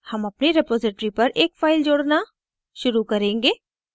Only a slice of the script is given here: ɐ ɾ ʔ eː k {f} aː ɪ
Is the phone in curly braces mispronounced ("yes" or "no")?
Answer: no